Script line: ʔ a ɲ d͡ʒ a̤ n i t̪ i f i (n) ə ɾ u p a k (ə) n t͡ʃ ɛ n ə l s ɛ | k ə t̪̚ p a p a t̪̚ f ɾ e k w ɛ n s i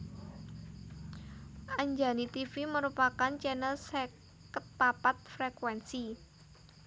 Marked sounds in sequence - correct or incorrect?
incorrect: m, incorrect: a

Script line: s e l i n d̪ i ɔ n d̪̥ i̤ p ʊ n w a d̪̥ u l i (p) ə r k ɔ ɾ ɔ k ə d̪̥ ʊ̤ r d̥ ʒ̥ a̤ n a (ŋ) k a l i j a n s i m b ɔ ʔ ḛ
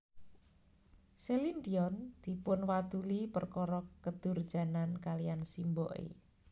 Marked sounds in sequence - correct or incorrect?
correct, incorrect: n

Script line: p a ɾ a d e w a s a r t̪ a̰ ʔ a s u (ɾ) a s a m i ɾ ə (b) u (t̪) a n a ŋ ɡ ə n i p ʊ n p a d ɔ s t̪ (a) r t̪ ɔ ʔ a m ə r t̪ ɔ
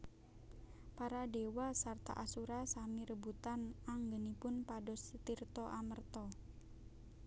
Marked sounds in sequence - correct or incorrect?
correct, correct, correct, incorrect: i

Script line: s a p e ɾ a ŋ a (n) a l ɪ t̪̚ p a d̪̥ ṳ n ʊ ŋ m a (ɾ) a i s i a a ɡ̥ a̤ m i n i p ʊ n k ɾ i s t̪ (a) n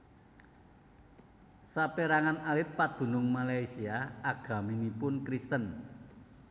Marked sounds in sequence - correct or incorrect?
correct, incorrect: l, incorrect: ə

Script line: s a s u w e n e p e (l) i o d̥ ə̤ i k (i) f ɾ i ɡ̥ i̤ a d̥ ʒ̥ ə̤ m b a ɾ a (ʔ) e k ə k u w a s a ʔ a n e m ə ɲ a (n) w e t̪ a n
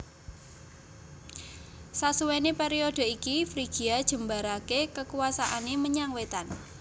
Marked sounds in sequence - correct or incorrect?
incorrect: ɾ, correct, incorrect: k, incorrect: ŋ

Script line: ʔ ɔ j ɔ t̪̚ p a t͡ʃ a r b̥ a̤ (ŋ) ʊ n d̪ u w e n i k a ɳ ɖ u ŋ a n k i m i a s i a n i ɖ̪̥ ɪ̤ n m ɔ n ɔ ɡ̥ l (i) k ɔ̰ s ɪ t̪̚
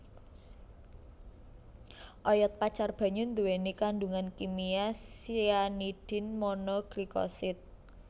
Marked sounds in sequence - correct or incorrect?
incorrect: ɲ, correct

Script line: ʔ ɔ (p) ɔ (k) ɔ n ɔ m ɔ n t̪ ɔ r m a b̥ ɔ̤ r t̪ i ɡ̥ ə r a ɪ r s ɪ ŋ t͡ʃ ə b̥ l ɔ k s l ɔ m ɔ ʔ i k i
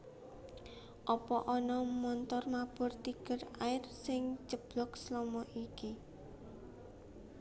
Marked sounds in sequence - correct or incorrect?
correct, incorrect: ʔ

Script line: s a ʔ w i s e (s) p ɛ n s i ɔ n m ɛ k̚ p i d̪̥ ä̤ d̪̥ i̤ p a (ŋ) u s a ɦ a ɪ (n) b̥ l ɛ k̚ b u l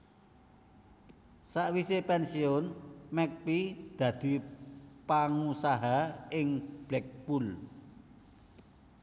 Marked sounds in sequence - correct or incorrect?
incorrect: none, correct, incorrect: ŋ

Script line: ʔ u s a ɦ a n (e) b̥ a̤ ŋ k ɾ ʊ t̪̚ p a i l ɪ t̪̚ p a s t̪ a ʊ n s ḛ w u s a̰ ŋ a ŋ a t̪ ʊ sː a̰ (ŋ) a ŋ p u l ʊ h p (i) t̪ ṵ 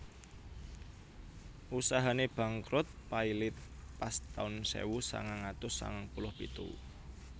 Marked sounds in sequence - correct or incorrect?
correct, correct, correct

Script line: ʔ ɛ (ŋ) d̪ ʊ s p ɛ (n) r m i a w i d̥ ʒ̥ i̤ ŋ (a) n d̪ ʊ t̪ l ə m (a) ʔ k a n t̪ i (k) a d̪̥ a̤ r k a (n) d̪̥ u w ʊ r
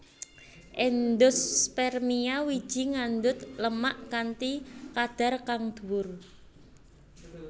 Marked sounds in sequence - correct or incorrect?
incorrect: n, incorrect: none, correct, correct, correct, incorrect: ŋ

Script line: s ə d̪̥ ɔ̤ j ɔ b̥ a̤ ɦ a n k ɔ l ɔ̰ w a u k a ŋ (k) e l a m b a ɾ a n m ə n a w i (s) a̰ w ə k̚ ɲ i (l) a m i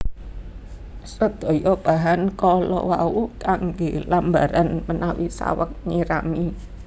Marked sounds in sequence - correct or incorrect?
incorrect: ɡ, correct, incorrect: ɾ

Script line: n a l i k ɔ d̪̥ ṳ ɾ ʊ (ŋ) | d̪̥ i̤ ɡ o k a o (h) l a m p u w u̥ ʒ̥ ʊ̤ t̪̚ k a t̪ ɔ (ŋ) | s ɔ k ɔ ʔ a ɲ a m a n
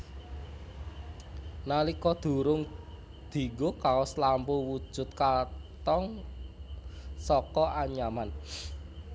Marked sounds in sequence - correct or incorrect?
correct, incorrect: s, correct

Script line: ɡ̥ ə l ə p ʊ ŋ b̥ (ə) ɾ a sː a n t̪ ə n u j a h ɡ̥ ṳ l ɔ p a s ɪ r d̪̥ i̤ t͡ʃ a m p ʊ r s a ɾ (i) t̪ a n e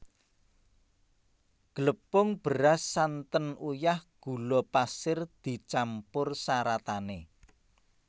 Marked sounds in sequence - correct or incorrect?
correct, incorrect: a

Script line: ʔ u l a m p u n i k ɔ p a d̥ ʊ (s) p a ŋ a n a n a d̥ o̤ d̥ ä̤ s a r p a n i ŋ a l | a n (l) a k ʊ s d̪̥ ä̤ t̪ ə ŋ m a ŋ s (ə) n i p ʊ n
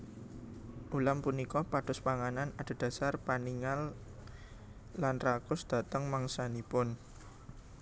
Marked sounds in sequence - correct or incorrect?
correct, incorrect: r, incorrect: a

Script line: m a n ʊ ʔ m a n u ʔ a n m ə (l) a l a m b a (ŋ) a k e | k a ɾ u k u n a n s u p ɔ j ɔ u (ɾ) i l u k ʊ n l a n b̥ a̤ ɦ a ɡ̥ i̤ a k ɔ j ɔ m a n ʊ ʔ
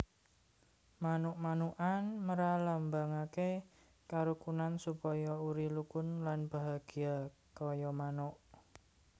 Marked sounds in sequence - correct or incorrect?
incorrect: ɾ, correct, correct

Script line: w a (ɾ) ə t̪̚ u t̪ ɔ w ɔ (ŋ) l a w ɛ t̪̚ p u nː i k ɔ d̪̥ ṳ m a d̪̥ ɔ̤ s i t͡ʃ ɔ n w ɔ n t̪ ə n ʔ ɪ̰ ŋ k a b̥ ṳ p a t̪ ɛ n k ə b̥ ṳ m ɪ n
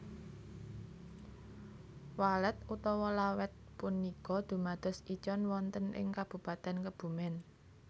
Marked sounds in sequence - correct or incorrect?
incorrect: l, incorrect: none

